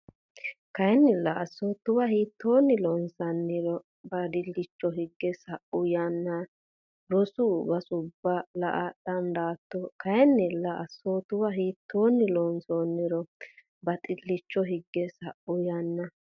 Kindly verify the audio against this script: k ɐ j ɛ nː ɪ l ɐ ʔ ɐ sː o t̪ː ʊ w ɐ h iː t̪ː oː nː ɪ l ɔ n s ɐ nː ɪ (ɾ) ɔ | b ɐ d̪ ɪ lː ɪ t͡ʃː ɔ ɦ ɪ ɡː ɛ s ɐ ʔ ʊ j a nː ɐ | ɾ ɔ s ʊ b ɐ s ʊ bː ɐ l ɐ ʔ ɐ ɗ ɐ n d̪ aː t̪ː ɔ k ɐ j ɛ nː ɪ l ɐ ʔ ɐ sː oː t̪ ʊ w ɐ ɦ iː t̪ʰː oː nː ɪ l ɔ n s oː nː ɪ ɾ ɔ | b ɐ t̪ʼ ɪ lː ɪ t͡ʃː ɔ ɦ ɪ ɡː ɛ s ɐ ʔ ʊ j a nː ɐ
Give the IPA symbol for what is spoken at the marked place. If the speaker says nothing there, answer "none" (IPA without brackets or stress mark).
ɾ